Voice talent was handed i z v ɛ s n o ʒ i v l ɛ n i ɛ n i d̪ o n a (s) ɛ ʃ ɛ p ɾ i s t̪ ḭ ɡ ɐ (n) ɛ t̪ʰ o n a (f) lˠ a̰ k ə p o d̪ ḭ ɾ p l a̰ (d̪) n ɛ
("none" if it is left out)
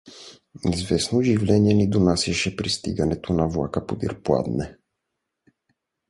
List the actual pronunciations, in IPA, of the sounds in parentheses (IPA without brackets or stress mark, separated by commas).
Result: s, n, v, d̪